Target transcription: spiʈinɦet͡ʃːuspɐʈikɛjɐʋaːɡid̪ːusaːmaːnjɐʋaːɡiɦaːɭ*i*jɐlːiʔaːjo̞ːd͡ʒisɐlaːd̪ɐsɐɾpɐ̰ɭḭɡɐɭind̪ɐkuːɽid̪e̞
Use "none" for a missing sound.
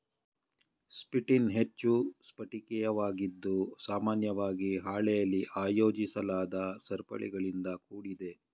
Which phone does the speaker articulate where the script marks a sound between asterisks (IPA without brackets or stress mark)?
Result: ɛ